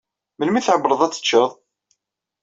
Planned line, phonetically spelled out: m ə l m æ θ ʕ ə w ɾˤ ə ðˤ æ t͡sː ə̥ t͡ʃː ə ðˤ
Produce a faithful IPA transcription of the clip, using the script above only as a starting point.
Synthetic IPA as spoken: m ə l m i θ ʕ ə b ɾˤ ə ðˤ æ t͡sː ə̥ t͡ʃː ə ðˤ

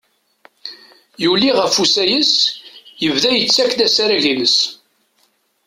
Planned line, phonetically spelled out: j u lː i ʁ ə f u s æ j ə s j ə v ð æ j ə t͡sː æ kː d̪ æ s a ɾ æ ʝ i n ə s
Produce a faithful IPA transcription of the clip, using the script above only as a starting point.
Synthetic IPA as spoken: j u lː i ʁ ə f u s æ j ə s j ə v ð æ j ə t͡sː æ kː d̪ æ s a ɾ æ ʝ i n ə s

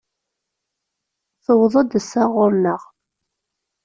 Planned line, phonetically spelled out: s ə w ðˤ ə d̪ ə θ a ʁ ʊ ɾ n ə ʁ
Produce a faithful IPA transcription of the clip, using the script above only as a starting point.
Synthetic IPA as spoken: θ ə w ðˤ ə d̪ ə s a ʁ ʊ ɾ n ə ʁ

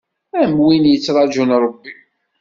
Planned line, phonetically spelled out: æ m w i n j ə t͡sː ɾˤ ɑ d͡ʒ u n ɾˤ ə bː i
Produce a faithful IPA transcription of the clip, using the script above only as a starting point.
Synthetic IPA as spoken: æ m w i n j ə t͡sː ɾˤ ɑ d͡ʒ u n ɾˤ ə bː i

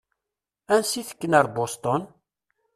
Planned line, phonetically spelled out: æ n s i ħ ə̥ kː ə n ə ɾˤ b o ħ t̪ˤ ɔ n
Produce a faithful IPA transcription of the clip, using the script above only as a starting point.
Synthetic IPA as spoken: æ n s i θ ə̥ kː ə n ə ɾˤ b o s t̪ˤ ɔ n

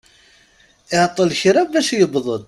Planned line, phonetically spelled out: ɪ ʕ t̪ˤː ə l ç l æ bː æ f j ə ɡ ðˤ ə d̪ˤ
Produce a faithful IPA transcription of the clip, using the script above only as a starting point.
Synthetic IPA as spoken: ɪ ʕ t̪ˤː ə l ç ɾ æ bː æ ʃ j ə b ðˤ ə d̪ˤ

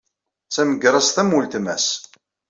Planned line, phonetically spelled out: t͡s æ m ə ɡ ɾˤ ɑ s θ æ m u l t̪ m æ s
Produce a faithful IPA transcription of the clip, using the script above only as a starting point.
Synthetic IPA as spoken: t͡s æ m ə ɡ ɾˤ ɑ s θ æ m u l t̪ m æ s

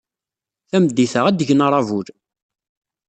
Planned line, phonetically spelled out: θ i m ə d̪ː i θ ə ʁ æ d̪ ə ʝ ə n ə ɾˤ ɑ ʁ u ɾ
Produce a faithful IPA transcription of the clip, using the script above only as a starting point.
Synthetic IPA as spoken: θ æ m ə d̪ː i θ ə ʁ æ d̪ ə ʝ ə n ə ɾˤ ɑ v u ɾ

